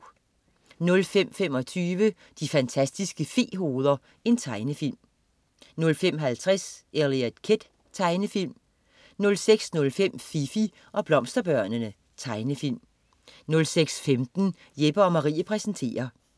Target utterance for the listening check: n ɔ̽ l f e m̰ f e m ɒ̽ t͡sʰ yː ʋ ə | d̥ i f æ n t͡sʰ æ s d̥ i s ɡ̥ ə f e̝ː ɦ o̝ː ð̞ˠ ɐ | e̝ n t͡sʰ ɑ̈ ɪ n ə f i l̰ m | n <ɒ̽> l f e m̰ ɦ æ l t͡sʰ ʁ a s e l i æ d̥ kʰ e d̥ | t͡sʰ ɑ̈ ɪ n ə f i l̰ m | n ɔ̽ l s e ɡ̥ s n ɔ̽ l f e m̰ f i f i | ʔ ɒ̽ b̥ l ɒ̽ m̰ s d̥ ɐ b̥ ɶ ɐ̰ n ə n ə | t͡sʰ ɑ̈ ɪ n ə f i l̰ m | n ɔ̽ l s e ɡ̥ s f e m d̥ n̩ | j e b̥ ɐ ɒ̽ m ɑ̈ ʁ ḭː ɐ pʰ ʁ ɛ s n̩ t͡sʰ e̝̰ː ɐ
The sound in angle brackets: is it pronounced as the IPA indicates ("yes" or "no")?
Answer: no